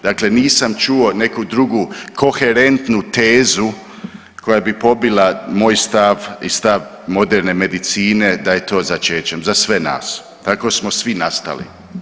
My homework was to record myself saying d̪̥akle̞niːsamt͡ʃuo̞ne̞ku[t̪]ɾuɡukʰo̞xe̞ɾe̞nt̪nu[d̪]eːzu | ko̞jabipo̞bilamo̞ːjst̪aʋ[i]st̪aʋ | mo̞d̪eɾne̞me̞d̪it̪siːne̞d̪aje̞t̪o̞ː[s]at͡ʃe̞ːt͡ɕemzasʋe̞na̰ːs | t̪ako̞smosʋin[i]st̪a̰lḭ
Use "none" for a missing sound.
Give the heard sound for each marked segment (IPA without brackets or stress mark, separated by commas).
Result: d̪, t̪, i, z, a